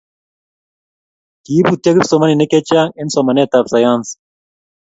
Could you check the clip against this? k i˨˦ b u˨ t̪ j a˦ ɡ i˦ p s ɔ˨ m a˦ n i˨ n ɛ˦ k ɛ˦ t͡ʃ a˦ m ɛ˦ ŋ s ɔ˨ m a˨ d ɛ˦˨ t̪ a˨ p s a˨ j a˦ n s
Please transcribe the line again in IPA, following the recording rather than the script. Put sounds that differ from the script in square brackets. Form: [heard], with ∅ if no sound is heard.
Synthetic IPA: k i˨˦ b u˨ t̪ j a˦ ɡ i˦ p s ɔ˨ m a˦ n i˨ n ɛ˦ k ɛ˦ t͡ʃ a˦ [ŋ] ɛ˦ [n] s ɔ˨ m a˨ [n] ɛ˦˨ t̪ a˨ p s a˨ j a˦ n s